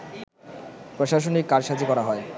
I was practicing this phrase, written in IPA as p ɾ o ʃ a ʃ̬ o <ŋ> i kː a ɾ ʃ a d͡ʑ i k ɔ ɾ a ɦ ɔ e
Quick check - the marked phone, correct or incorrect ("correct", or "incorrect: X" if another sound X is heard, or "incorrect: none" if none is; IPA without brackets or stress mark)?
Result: incorrect: n